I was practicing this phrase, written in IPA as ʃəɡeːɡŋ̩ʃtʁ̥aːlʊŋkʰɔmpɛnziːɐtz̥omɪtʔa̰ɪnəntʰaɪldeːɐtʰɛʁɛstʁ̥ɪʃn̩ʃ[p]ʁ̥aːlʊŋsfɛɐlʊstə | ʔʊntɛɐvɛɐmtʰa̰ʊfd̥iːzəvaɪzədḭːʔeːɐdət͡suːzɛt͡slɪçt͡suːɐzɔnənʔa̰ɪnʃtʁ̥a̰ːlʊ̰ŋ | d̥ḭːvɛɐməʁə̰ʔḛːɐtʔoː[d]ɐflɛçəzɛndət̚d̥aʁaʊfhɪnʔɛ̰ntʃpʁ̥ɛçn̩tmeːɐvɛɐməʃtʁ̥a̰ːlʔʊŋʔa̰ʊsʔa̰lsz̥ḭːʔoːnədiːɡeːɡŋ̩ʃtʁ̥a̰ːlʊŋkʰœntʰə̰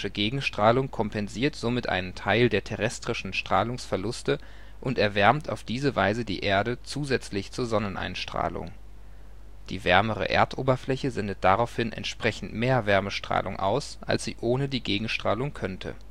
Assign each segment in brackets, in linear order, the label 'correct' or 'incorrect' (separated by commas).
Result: incorrect, incorrect